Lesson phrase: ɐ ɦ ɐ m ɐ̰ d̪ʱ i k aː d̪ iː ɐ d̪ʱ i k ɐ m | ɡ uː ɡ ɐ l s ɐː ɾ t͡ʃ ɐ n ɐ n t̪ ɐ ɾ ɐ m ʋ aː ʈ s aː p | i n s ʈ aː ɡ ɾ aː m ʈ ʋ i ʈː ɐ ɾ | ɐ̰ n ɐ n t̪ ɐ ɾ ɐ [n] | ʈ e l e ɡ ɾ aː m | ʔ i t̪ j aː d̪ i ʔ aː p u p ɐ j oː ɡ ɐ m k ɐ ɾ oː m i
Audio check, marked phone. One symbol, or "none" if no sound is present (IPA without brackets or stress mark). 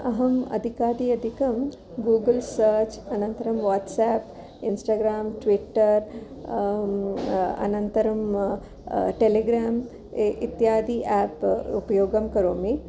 m